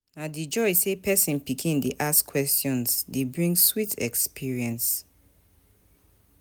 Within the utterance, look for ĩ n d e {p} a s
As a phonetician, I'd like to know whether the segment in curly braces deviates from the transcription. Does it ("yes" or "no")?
yes